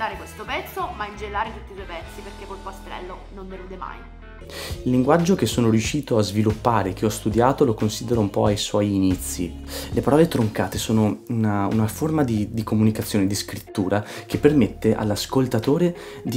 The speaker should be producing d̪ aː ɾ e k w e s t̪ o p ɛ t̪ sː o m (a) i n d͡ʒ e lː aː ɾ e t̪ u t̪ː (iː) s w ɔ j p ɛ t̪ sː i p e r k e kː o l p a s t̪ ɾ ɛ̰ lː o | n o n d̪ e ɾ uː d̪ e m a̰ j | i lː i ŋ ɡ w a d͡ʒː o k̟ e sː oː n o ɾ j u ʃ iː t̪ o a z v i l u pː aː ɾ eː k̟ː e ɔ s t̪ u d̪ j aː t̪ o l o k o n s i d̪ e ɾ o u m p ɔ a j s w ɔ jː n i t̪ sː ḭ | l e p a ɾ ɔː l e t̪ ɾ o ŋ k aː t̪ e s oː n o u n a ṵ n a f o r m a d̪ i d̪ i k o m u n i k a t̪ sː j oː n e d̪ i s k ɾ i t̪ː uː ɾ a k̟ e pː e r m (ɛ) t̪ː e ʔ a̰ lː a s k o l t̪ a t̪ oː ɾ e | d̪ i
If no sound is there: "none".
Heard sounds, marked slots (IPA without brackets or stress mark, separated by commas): a, i, e